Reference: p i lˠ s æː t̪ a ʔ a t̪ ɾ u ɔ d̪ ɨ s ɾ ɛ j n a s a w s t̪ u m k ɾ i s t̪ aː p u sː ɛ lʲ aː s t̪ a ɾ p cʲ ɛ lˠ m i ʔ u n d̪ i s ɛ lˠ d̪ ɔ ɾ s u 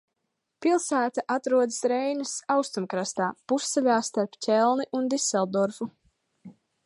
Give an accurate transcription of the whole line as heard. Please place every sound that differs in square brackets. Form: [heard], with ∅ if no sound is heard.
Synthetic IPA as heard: p i lˠ s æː t̪ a ʔ a t̪ ɾ u ɔ d̪ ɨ s ɾ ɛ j n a s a w s t̪ u m k ɾ [a] s t̪ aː p u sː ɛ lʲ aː s t̪ a ɾ p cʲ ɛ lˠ [n] i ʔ u n d̪ i s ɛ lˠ d̪ ɔ ɾ [f] u